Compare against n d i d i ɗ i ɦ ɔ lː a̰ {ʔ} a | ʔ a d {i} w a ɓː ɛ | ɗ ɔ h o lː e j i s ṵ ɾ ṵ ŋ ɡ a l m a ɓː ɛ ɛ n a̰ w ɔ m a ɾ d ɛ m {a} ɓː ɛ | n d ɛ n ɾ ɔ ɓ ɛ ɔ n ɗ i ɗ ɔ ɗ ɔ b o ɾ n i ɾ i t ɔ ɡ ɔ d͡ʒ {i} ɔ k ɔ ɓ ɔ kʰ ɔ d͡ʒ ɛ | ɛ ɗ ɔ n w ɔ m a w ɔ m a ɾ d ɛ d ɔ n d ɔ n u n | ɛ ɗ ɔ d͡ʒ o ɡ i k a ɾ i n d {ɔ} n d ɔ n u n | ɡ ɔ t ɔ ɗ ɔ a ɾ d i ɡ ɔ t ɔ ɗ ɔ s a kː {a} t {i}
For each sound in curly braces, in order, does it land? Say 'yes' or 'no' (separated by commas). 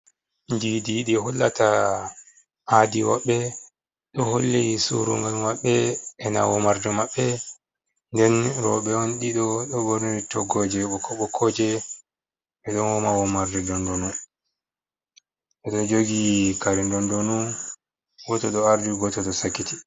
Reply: no, yes, yes, no, yes, no, yes